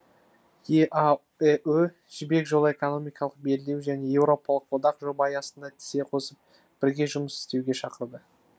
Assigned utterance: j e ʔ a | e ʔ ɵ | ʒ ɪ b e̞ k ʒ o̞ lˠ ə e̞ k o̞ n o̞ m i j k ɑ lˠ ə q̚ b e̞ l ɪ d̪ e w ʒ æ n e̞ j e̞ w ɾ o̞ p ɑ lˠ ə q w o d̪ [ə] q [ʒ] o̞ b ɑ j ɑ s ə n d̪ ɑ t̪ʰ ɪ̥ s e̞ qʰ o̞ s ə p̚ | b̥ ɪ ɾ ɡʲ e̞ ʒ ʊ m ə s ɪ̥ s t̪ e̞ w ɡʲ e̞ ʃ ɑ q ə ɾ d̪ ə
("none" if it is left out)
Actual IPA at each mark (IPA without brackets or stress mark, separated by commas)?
ɑ, ʒ